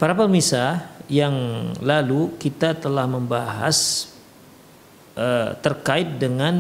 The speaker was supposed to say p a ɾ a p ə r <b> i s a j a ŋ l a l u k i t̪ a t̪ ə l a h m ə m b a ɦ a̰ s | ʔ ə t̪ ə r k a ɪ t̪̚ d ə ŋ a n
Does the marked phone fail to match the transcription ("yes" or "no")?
yes